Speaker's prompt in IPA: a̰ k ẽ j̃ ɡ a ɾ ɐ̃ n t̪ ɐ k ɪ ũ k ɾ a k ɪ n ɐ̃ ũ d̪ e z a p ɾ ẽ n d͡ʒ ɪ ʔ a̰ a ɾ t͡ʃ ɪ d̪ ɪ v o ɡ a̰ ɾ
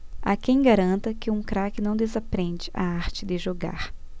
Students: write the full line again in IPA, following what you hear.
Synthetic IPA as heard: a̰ k ẽ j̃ ɡ a ɾ ɐ̃ n t̪ ɐ k ɪ ũ k ɾ a k ɪ n ɐ̃ w̃ d̪ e z a p ɾ ẽ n d͡ʒ ɪ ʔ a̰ a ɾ t͡ʃ ɪ d̪ ɪ ʒ o ɡ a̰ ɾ